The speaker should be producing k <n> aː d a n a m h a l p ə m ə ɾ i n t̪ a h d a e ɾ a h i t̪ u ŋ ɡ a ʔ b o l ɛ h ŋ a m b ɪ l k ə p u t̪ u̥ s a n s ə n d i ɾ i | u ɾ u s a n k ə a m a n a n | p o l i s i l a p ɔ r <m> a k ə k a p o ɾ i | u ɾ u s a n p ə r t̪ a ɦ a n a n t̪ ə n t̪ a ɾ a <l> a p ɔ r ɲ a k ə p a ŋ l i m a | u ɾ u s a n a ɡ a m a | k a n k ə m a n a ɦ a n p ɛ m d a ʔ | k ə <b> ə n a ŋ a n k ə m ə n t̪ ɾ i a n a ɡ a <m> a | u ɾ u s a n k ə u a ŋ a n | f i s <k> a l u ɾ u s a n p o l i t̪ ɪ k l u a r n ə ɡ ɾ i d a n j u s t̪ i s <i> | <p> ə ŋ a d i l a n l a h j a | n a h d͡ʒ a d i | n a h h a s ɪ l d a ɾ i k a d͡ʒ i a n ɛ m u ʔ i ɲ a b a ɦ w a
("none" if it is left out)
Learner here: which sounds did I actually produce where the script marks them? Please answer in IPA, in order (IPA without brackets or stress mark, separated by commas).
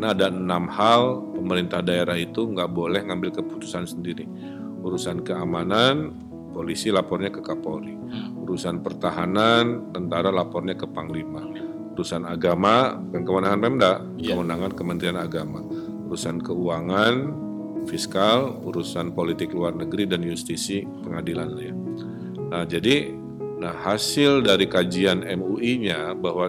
n, ɲ, l, m, m, k, i, p